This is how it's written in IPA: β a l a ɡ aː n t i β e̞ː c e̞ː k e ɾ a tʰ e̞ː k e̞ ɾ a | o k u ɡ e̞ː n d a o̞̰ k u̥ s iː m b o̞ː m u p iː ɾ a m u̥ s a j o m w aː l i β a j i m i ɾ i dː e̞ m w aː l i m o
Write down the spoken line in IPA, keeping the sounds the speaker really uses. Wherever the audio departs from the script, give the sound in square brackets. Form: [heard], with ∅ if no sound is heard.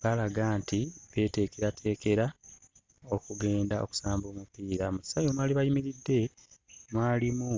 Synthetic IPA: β a l a ɡ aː n t i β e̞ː [t] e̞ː k e ɾ a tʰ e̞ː k e̞ ɾ a | o k u ɡ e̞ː n d a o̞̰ k u̥ s [aː] m b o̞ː m u p iː ɾ a m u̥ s a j o m w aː l i β a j i m i ɾ i dː e̞ m w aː l i m [u]